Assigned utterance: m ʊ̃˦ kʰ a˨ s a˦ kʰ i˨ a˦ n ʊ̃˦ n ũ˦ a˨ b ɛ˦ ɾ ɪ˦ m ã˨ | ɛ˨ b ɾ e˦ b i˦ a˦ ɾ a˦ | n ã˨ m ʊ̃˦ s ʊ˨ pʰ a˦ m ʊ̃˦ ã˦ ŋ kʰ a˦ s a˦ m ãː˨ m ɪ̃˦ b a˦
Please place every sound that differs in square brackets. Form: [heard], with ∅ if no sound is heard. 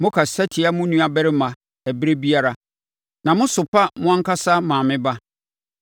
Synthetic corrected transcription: m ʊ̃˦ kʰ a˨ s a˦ [tʰ] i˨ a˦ [m] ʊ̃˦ n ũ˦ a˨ b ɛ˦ ɾ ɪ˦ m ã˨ | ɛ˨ b ɾ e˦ b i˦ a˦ ɾ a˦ | n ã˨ m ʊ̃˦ s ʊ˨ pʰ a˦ m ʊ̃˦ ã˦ ŋ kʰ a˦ s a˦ m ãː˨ m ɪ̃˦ b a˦